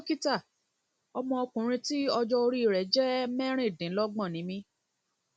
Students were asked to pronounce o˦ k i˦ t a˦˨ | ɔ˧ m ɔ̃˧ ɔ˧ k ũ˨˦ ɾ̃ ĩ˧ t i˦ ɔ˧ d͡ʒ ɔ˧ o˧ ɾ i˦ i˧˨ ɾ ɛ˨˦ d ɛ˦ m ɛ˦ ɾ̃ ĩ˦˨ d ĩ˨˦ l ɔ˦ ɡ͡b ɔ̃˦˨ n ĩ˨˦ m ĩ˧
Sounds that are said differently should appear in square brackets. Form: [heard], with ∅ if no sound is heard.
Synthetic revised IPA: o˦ k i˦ t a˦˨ | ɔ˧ m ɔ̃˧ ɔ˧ k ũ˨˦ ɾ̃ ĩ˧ t i˦ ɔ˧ d͡ʒ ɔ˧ o˧ ɾ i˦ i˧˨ ɾ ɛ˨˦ [d͡ʒ] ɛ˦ m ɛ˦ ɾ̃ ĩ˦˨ d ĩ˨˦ l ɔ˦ ɡ͡b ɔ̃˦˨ n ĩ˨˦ m ĩ˧